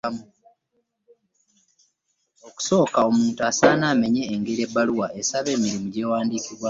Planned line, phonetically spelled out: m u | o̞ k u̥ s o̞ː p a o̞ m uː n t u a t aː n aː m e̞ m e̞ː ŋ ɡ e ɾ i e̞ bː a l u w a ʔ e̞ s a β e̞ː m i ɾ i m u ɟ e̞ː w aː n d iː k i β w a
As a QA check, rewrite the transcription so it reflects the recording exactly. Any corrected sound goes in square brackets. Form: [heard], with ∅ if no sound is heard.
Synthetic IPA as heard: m u | o̞ k u̥ s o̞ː [k] a o̞ m uː n t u a [s] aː n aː m e̞ [ɲ] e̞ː ŋ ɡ e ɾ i e̞ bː a l u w a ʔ e̞ s a β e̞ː m i ɾ i m u ɟ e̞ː w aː n d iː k i β w a